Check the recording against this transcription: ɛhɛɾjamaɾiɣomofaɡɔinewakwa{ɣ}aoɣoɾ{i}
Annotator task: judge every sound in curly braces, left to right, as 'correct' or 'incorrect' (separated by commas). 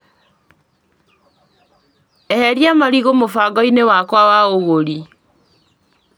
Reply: incorrect, correct